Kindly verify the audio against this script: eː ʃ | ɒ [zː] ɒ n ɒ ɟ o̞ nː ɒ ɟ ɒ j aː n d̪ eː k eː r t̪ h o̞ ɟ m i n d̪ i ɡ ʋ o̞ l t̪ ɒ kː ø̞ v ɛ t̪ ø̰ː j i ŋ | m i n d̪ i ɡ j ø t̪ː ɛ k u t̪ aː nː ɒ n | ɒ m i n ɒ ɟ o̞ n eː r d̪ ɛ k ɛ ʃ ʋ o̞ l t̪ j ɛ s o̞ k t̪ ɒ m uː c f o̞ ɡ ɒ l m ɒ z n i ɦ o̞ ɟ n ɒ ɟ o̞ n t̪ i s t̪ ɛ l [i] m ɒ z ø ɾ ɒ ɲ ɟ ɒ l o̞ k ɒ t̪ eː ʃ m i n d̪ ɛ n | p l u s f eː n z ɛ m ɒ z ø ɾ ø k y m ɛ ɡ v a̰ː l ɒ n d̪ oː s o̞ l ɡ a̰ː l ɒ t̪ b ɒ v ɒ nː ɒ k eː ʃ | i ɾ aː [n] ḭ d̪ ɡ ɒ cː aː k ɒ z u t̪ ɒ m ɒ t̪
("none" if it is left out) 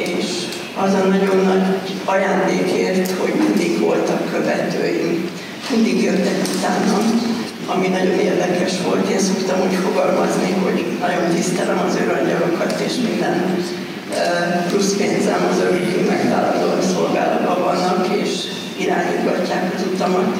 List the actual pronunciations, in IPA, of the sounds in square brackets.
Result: z, ɛ, ɲ

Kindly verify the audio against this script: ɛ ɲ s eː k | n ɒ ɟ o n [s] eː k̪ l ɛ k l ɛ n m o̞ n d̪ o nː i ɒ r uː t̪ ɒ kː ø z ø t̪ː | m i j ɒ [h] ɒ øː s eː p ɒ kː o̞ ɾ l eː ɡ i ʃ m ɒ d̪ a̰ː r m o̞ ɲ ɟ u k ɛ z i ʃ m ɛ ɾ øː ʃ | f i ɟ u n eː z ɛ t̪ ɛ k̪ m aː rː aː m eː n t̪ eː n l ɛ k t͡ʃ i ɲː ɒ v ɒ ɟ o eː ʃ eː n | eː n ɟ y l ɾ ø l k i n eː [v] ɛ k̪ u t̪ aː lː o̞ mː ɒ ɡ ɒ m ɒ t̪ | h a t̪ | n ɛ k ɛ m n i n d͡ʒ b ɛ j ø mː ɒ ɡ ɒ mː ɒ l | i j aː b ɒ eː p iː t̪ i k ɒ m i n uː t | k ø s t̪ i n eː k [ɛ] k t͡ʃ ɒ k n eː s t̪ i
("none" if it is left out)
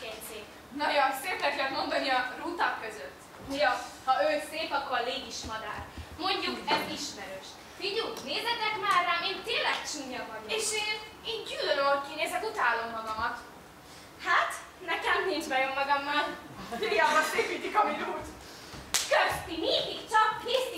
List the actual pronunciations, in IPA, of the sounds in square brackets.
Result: s, h, z, i

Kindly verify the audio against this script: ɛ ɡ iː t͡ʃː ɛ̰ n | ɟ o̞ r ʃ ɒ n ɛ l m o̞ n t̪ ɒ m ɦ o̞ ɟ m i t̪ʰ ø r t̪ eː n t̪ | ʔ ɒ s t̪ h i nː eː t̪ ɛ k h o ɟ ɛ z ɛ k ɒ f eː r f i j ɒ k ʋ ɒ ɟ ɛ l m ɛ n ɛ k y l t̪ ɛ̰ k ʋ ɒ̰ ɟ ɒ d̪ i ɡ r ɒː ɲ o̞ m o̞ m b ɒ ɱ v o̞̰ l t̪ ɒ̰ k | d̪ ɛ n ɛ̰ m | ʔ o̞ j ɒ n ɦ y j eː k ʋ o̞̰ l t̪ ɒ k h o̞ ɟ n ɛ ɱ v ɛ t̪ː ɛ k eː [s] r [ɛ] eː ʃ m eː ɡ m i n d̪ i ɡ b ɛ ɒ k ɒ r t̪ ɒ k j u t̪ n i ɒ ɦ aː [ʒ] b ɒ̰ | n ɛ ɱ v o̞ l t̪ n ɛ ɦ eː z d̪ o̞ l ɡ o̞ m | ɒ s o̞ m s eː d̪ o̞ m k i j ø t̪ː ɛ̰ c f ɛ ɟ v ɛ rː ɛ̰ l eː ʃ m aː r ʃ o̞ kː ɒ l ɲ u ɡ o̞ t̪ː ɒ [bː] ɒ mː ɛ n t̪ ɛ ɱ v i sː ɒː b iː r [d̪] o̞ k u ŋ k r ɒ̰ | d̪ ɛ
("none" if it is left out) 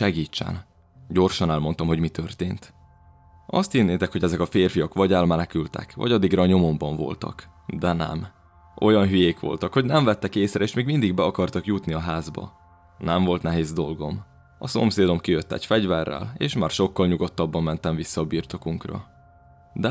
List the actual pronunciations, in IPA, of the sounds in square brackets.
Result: s, ɛ, z, bː, t̪

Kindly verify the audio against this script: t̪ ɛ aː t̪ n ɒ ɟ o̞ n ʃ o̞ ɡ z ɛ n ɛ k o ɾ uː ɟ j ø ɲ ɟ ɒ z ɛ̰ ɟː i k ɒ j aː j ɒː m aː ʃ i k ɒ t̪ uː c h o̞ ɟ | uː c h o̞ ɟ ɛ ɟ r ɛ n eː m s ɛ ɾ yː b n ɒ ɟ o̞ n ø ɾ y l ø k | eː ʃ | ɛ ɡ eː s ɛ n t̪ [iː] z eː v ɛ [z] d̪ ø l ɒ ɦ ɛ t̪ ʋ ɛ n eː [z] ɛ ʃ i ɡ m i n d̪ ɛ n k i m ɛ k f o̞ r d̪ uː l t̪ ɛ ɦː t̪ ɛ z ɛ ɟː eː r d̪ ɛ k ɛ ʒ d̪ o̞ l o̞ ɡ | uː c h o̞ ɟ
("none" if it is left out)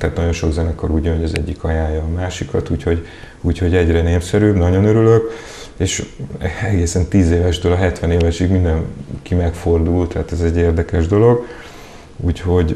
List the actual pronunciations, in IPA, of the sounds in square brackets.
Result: iː, ʒ, v

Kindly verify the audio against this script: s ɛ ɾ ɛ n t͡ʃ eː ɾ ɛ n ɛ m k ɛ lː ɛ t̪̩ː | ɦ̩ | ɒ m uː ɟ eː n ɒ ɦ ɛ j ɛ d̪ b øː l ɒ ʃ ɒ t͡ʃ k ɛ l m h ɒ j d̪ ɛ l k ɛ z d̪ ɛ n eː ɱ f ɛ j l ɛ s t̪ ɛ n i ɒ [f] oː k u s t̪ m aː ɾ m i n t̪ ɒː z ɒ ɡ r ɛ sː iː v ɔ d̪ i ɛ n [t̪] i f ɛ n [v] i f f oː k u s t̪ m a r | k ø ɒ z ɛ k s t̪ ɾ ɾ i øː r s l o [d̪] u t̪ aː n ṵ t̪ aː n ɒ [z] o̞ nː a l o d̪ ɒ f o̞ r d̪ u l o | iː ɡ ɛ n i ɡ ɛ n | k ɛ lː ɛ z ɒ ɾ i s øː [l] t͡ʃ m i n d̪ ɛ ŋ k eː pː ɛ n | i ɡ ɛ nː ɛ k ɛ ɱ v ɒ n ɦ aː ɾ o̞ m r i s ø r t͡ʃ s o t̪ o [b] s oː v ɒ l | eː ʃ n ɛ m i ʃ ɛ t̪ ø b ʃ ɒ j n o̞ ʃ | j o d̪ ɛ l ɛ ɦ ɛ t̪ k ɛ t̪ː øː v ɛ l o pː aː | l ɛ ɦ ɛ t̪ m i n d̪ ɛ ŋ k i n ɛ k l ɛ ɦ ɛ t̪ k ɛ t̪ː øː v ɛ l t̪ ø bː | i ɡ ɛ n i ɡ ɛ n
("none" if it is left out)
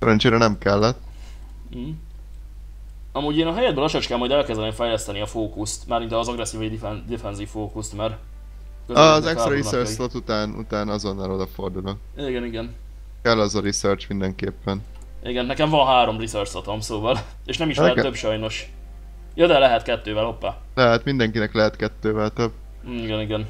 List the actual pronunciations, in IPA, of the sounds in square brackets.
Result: f, d̪, z, t̪, z, r, m

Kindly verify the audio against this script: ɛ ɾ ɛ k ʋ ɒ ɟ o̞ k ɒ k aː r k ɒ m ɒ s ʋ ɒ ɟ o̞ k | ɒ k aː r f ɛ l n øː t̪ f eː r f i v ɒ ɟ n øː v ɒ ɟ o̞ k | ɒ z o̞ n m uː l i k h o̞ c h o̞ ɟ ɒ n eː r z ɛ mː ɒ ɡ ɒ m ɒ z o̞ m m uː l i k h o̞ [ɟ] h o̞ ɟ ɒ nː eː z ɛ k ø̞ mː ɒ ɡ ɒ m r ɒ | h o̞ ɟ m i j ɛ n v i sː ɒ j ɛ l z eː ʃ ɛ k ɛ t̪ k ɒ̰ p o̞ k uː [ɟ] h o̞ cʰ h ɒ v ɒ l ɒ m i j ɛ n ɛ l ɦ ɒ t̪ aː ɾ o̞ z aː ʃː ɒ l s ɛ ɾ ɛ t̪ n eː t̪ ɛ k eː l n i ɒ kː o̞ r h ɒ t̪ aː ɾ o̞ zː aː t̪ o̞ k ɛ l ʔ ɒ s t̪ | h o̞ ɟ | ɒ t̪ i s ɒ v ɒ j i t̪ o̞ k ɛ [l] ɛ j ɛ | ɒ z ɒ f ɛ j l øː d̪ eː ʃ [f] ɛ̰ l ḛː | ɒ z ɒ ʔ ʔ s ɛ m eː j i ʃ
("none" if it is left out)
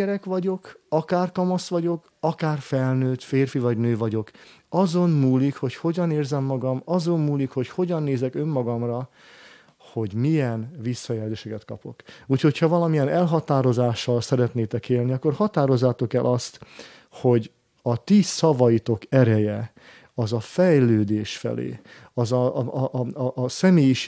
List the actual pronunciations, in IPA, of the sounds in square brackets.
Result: c, c, ɾ, f

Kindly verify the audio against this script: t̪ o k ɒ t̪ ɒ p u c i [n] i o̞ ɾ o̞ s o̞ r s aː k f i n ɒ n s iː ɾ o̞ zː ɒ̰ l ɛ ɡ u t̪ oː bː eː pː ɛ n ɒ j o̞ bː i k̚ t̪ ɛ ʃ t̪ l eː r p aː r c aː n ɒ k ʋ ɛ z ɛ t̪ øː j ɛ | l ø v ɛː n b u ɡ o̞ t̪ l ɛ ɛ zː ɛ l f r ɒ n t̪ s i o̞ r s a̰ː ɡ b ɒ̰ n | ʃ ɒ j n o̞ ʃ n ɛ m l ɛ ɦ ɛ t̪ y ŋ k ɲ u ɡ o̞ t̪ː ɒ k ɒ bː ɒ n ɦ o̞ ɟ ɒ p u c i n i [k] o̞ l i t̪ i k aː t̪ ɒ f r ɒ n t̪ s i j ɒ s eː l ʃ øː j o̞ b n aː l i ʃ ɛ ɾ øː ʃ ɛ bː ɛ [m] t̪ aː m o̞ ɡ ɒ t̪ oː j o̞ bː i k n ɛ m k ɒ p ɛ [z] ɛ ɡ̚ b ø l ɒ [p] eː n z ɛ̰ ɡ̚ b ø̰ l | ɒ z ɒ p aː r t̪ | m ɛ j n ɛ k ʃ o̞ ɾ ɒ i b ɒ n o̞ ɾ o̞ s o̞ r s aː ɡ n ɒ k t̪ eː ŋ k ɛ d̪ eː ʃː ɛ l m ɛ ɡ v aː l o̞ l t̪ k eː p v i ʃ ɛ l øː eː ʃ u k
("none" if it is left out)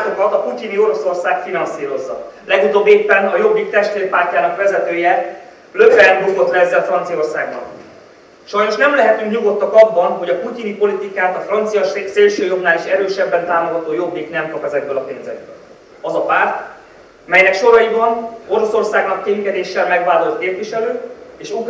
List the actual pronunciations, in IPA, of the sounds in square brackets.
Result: n, p, n, z, p

